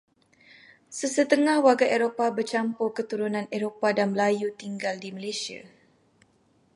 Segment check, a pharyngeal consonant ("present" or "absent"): absent